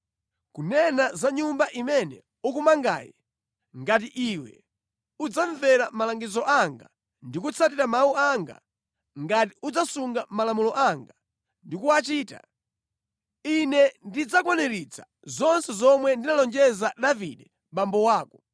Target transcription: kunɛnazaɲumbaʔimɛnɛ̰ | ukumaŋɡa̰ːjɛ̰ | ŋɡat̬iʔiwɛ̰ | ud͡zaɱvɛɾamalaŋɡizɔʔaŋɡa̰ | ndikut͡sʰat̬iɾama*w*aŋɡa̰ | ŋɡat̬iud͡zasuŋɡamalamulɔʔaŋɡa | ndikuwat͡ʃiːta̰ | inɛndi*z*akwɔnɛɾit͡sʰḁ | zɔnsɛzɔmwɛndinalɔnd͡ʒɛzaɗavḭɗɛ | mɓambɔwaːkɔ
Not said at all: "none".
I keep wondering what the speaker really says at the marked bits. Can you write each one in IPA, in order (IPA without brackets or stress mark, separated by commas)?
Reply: u, d͡z